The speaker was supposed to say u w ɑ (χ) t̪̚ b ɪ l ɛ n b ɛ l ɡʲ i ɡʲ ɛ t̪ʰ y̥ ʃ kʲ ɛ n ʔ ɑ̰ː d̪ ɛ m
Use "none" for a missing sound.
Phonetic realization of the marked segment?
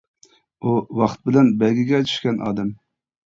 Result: χ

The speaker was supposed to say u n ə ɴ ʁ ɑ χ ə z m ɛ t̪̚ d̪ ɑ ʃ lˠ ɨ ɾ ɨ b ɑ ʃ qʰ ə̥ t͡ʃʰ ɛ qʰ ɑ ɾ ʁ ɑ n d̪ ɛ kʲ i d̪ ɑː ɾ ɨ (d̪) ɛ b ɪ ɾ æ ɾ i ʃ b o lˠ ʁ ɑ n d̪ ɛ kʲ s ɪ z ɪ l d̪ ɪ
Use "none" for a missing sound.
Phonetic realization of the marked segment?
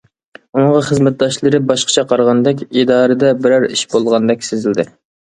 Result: d̪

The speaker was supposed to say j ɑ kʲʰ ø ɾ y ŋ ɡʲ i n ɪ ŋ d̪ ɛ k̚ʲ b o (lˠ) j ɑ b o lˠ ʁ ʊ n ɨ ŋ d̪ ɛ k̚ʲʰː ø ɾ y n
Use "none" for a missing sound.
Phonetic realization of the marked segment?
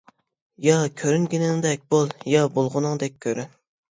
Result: lˠ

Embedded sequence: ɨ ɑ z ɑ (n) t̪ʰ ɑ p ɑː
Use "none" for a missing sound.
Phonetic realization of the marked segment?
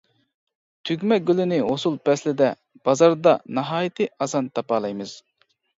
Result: n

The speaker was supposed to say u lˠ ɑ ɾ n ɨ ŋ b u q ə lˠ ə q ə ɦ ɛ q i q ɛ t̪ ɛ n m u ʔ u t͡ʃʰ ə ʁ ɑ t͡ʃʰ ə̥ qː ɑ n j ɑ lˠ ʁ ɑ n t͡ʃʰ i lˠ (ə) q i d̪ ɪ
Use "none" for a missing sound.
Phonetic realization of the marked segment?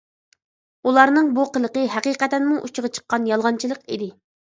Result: ə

